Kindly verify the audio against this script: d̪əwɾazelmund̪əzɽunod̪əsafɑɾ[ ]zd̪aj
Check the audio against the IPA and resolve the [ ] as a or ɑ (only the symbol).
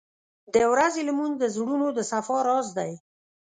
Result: ɑ